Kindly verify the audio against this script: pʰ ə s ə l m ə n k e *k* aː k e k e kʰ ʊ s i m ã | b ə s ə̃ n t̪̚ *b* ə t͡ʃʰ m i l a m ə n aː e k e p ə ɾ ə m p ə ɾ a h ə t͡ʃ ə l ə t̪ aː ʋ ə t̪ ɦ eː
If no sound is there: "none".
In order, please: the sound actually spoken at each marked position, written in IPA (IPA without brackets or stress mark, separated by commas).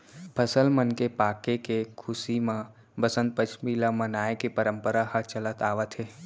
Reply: p, p